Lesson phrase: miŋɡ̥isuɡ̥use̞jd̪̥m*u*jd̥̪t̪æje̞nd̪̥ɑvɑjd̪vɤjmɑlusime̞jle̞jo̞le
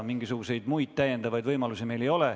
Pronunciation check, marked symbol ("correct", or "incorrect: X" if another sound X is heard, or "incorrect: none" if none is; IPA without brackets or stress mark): correct